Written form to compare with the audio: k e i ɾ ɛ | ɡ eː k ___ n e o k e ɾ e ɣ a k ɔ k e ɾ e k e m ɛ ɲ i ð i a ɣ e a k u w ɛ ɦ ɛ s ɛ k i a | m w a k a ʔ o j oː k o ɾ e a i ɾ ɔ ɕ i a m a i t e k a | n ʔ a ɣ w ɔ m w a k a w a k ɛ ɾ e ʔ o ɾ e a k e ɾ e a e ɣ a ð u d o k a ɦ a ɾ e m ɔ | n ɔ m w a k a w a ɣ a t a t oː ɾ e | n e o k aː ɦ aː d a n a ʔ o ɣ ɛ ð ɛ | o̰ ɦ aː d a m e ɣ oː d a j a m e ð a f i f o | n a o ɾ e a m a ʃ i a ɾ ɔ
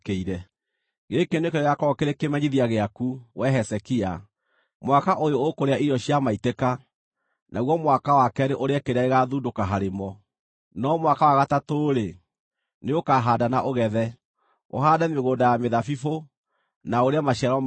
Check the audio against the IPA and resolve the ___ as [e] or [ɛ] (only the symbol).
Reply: e